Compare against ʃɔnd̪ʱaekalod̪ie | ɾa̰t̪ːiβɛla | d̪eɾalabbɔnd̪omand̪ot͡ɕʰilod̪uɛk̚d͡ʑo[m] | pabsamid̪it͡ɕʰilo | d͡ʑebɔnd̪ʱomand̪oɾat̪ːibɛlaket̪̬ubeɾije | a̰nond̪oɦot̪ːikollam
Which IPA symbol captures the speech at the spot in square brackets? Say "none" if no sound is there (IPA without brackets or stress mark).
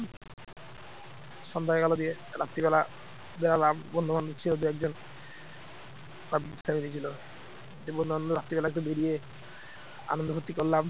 n